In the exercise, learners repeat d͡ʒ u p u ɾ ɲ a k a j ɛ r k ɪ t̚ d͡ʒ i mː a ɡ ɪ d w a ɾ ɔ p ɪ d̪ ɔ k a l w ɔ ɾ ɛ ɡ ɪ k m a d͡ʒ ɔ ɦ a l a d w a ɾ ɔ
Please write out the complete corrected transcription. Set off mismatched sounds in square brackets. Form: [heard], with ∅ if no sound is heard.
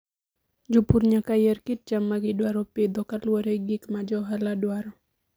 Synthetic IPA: d͡ʒ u p u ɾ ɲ a k a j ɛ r k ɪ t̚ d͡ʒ [a] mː a ɡ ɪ d w a ɾ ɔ p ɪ d̪ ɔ k a l w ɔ ɾ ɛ ɡ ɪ k m a d͡ʒ ɔ ɦ a l a d w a ɾ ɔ